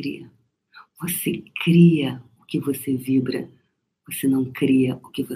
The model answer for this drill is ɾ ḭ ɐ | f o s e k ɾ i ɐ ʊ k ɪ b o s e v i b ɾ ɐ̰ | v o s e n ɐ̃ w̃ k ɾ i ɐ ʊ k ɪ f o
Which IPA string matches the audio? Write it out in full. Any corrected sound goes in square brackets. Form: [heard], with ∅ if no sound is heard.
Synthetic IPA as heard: ɾ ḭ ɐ | [v] o s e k ɾ i ɐ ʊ k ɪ [v] o s e v i b ɾ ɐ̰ | v o s e n ɐ̃ w̃ k ɾ i ɐ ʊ k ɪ [v] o